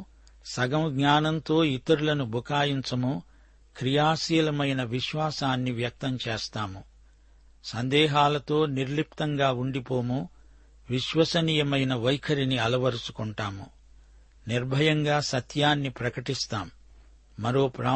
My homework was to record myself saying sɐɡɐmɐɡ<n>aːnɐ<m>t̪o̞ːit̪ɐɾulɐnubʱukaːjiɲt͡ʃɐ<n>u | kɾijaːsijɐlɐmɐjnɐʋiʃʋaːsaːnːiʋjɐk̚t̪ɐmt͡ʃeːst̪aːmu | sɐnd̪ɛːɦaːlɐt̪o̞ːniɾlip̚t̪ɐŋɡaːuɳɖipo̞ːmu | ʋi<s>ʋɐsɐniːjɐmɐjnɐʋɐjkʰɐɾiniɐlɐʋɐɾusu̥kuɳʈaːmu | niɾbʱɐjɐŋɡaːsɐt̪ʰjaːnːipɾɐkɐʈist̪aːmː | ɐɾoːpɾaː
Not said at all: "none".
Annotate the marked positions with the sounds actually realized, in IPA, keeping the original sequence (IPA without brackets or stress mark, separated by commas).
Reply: ɲ, n, m, ʃ